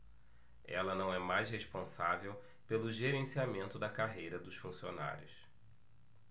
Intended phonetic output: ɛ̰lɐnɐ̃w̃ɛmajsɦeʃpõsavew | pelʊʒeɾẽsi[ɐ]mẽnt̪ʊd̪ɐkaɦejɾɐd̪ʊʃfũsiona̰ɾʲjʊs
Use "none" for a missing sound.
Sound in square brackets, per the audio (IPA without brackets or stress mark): a